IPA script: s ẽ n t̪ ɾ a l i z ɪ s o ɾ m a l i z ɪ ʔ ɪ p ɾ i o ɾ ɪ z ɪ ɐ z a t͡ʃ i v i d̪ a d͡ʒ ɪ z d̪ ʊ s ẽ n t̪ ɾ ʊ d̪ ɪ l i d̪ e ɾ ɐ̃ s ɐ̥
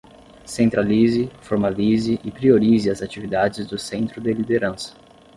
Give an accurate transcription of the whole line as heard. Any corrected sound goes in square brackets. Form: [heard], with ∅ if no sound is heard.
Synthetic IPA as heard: s ẽ n t̪ ɾ a l i z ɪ [f] o ɾ m a l i z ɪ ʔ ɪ p ɾ i o ɾ [i] z ɪ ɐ z a t͡ʃ i v i d̪ a d͡ʒ ɪ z d̪ ʊ s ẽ n t̪ ɾ ʊ d̪ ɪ l i d̪ e ɾ ɐ̃ s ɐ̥

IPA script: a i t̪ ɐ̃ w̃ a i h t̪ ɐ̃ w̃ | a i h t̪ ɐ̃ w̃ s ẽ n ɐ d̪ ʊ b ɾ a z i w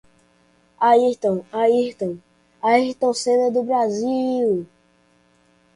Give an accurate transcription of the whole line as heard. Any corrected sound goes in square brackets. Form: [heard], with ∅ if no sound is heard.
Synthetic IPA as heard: a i t̪ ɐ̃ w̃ a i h t̪ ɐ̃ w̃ | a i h t̪ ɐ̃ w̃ s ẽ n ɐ d̪ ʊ b ɾ a z i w

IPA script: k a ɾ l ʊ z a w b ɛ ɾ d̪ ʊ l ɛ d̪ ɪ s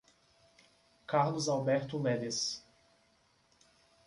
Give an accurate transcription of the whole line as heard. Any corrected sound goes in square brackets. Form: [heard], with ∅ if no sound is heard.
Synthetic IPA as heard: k a ɾ l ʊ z a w b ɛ ɾ [t̪] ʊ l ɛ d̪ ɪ s

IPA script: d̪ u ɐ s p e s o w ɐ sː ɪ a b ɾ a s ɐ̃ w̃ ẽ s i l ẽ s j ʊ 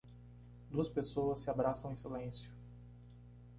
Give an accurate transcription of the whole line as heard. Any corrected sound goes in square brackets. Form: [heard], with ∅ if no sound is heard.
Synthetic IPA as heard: d̪ u ɐ s p e s o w ɐ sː ɪ a b ɾ a s ɐ̃ w̃ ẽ s i l ẽ s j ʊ

